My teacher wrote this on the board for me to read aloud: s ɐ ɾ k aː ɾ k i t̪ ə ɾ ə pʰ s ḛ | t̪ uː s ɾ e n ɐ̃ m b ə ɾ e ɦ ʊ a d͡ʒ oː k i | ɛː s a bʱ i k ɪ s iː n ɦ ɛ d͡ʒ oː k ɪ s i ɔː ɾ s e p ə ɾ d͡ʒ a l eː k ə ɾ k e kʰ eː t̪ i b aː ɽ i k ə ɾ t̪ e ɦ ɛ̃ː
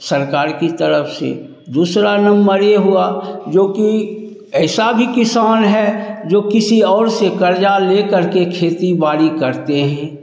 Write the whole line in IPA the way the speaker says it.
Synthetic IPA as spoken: s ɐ ɾ k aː ɾ k i t̪ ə ɾ ə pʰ s ḛ | d̪ uː s ɾ a n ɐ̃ m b ə ɾ e ɦ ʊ a d͡ʒ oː k i | ɛː s a bʱ i k ɪ s aː n ɦ ɛ d͡ʒ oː k ɪ s i ɔː ɾ s e k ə ɾ d͡ʒ a l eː k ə ɾ k e kʰ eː t̪ i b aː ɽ i k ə ɾ t̪ e ɦ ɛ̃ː